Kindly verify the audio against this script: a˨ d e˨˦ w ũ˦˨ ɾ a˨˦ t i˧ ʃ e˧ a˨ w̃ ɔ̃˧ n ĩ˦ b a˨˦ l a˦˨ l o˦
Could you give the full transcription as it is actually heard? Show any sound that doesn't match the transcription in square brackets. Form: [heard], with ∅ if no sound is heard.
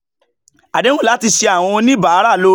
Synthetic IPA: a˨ d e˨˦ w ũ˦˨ [l] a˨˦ t i˧ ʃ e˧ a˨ w̃ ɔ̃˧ n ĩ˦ b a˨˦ [ɾ] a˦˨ l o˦